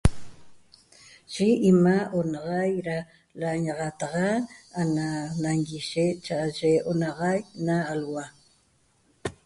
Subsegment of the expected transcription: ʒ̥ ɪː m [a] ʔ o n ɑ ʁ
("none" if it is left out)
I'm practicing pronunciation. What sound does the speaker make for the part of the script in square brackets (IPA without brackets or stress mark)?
a